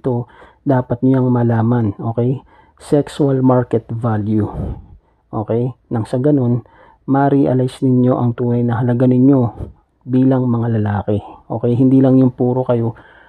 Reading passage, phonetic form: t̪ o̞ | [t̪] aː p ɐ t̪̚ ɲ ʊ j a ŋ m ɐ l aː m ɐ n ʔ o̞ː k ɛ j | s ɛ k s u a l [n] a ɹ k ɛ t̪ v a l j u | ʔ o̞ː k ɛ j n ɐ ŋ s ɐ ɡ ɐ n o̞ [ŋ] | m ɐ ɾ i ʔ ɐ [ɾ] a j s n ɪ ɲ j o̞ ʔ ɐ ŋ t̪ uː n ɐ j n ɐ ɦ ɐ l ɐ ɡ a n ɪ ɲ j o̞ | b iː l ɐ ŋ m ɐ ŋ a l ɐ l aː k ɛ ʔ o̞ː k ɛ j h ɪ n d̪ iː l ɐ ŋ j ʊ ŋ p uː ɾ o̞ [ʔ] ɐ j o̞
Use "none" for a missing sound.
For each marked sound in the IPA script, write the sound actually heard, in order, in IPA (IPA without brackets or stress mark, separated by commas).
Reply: d̪, m, n, l, k